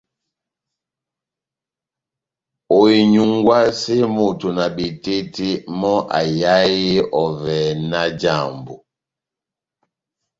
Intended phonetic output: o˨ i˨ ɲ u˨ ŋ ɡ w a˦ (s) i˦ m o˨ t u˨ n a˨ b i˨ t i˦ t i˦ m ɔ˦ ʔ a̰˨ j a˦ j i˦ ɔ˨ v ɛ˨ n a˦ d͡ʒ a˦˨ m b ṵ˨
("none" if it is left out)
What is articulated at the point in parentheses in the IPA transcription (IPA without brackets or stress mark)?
s